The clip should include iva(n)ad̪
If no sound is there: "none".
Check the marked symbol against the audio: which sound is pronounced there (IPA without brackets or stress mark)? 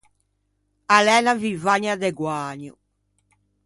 ɲ